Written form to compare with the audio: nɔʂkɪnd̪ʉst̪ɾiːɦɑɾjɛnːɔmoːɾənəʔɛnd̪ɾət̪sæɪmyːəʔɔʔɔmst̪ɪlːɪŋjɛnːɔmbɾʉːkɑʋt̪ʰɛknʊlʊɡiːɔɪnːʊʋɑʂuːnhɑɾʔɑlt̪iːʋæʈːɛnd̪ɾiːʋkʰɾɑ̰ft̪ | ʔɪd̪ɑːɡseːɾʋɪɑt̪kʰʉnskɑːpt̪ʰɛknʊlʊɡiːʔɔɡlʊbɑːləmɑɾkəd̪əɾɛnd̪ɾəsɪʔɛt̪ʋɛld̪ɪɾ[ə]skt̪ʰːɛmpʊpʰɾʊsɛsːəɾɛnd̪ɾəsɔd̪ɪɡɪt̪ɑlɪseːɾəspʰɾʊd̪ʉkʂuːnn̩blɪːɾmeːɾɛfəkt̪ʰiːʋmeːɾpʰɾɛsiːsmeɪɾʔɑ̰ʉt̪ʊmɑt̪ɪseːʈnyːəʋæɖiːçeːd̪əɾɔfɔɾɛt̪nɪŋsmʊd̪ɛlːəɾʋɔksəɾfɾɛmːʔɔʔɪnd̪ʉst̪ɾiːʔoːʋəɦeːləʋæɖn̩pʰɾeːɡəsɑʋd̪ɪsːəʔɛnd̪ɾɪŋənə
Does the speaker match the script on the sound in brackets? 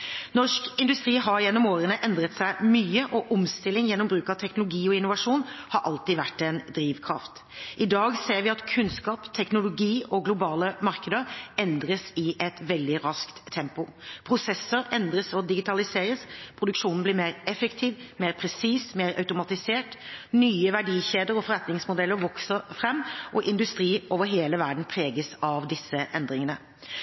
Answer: no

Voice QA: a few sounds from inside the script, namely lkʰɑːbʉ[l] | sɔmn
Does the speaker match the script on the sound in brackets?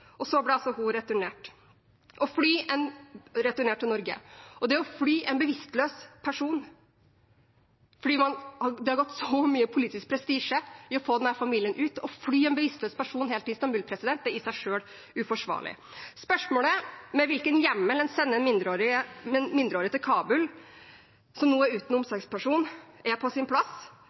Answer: yes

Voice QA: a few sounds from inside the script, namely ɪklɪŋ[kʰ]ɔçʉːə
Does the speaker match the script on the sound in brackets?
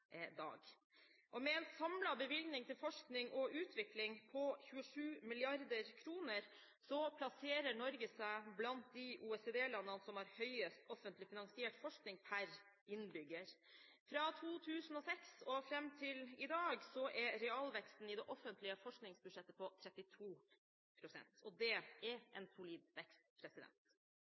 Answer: no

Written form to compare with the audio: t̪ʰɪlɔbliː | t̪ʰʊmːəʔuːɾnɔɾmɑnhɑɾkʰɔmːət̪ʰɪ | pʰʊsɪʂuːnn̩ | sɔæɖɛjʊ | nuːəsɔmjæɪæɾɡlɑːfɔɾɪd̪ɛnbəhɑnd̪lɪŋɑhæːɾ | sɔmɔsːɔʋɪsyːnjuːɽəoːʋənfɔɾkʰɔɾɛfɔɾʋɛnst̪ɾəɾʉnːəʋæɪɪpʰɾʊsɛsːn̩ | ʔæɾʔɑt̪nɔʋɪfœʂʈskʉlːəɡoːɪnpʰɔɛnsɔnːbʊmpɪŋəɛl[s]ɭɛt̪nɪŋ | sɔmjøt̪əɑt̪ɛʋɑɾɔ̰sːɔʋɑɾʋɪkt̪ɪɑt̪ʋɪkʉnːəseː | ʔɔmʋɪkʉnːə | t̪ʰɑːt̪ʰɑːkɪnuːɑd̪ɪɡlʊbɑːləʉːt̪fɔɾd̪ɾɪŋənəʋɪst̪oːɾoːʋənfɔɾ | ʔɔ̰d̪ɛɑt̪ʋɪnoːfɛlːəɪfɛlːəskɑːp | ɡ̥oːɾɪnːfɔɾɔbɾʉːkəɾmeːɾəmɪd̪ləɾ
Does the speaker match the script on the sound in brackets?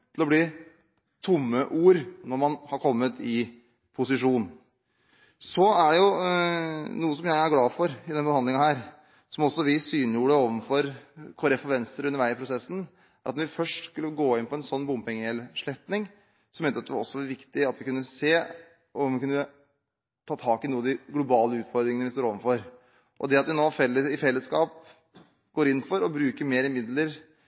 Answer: no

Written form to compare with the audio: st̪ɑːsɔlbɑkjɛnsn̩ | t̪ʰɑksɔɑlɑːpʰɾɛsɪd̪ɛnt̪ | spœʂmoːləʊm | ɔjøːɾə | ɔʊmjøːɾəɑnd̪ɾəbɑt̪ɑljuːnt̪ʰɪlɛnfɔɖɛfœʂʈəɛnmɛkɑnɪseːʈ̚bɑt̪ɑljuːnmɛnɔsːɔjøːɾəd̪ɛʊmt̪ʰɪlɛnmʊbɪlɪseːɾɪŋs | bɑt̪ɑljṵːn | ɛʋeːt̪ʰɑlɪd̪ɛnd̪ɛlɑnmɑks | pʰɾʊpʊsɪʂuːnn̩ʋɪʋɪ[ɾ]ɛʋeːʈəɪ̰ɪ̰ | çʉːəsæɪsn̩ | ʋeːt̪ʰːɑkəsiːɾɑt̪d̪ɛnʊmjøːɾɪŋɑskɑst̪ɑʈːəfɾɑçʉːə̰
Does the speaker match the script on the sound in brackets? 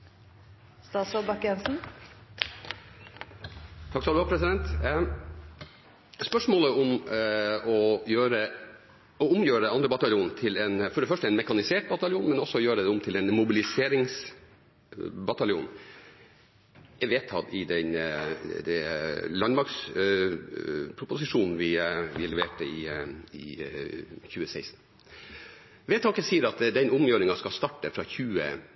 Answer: no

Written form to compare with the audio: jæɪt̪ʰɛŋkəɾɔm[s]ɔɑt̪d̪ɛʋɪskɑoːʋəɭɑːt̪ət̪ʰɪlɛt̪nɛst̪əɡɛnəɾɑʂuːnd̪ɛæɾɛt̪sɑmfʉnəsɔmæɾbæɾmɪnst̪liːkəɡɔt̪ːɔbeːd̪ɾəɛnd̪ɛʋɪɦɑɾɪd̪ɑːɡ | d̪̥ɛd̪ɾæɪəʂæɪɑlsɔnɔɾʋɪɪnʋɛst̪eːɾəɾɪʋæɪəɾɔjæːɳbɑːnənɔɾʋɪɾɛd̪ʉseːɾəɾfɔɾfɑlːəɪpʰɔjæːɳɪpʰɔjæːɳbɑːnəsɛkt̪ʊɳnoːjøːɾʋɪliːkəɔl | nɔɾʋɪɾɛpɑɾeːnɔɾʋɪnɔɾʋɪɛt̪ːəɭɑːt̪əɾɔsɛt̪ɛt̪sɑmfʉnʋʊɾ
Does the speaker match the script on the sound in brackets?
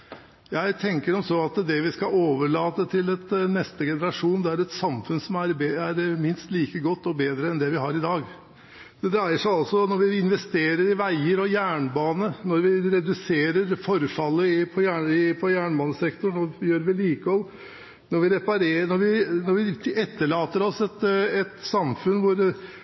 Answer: yes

